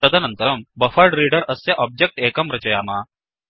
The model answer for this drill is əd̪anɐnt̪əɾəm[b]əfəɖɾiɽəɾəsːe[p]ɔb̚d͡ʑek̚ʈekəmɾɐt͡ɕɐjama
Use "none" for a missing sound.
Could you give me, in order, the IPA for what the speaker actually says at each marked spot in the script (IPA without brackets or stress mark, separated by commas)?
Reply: b, ʔ